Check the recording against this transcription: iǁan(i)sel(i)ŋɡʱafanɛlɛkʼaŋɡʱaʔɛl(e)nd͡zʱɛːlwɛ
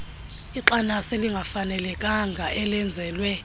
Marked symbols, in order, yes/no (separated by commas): no, yes, no